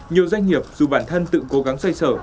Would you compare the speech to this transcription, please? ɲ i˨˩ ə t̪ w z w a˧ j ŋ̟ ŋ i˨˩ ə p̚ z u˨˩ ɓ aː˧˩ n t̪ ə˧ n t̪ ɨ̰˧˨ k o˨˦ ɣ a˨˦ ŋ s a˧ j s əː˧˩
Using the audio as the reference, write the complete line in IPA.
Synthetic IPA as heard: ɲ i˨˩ ə w z w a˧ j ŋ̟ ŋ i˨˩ ə p̚ z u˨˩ ɓ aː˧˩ n t̪ʰ ə˧ n t̪ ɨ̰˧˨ k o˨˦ ɣ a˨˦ ŋ s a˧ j s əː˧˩